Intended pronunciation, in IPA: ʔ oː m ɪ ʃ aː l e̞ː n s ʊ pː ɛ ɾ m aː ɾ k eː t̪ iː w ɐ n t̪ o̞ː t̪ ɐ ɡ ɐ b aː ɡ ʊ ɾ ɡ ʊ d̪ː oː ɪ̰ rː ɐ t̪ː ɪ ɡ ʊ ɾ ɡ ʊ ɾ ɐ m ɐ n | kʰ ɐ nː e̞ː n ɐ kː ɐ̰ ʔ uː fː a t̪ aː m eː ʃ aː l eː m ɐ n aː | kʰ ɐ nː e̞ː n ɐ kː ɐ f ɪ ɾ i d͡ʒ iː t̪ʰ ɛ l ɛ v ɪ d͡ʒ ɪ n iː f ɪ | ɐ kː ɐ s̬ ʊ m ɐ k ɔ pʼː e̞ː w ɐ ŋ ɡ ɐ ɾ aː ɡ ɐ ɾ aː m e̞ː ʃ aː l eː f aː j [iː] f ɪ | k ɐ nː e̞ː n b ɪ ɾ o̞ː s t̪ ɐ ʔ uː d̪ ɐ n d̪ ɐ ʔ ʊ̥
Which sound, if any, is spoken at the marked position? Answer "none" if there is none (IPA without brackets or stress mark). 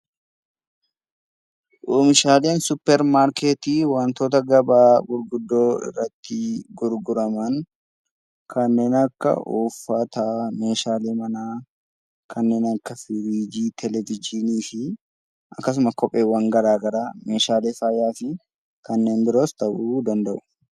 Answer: aː